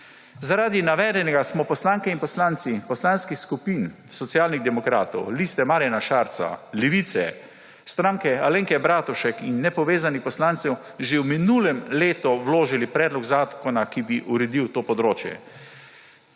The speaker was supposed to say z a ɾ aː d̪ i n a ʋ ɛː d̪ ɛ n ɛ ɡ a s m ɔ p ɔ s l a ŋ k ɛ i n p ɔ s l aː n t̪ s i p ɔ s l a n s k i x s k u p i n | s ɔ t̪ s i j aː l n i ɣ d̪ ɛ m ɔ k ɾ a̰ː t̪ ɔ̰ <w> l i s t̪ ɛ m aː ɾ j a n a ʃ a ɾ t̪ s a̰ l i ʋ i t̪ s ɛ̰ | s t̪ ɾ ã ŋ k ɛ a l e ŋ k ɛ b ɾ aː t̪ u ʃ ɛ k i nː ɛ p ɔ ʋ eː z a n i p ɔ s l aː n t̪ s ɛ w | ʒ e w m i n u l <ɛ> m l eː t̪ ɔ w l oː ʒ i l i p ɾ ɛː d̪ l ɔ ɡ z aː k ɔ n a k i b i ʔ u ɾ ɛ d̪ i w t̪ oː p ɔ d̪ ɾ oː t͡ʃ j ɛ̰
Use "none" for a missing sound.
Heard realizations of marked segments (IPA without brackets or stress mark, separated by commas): w, ɛ